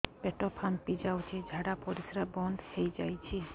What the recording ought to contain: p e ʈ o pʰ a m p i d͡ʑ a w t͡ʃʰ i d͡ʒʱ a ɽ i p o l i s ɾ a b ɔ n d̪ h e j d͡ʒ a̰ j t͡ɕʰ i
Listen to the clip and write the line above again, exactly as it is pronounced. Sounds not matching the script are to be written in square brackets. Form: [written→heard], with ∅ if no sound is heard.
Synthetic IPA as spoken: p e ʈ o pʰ a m p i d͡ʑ a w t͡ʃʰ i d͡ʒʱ a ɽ [i→a] p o [l→ɾ] i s ɾ a b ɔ n d̪ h e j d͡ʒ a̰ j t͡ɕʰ i